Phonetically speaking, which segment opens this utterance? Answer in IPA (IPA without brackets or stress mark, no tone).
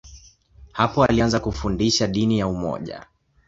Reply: h